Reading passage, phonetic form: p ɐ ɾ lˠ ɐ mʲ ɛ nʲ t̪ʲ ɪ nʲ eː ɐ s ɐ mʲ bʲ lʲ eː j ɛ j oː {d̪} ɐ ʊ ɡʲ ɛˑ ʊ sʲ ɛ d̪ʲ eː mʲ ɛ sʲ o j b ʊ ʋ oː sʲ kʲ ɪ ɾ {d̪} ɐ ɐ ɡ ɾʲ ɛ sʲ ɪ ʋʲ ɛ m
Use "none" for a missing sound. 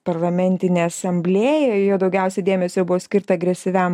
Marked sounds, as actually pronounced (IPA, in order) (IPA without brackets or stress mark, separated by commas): d̪, t̪